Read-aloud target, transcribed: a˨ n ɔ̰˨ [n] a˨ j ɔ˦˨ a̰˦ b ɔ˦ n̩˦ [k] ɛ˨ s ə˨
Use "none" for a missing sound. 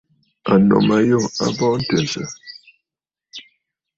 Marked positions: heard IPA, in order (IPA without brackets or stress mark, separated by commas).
m, t